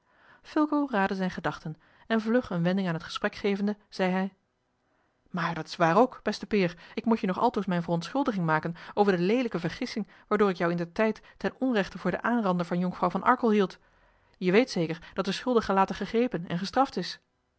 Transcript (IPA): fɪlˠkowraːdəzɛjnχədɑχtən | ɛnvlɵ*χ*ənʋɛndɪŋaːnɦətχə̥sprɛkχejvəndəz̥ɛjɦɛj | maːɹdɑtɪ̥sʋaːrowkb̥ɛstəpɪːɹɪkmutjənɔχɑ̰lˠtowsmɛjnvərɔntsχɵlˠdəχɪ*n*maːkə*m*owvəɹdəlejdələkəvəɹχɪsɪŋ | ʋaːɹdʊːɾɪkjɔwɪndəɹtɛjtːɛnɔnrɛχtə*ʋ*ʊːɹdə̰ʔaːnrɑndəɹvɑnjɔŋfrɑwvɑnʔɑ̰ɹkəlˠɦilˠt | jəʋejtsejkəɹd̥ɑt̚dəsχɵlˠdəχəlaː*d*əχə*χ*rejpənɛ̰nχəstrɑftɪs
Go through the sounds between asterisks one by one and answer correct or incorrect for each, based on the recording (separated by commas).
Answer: correct, incorrect, incorrect, incorrect, incorrect, correct